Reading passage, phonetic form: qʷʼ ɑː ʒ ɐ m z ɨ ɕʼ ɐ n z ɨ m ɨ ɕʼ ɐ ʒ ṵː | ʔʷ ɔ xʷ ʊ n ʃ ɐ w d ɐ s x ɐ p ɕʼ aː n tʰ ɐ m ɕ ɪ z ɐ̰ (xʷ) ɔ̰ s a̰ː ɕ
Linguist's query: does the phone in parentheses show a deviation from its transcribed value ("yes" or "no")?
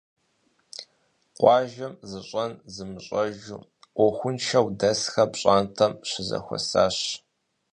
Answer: no